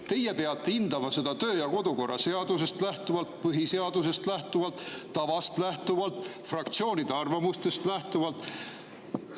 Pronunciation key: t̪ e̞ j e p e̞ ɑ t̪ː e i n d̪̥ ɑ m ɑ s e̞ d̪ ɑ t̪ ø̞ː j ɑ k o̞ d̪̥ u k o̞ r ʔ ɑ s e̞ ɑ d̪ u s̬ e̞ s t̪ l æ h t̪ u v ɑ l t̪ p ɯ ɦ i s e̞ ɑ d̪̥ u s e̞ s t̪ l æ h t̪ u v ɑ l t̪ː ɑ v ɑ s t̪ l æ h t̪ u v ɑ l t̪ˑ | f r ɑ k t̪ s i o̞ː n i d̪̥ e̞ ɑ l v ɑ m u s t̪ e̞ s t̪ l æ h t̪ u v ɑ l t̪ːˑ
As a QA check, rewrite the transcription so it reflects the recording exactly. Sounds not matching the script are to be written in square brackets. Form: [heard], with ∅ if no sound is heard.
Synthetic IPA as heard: t̪ e̞ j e p e̞ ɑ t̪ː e i n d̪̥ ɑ m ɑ s e̞ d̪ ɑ t̪ ø̞ː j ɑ k o̞ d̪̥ u k o̞ r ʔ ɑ s e̞ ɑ d̪ u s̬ e̞ s t̪ l æ h t̪ u v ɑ l t̪ p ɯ ɦ i s e̞ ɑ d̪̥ u s e̞ s t̪ l æ h t̪ u v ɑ l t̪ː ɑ v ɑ s t̪ l æ h t̪ u v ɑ l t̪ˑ | f r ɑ k t̪ s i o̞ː n i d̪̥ e̞ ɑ [r] v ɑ m u s t̪ e̞ s t̪ l æ h t̪ u v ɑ l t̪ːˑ